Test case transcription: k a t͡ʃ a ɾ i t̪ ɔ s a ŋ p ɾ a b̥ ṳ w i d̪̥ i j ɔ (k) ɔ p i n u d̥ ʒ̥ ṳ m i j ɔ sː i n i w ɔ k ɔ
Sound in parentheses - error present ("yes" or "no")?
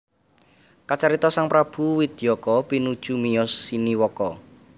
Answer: no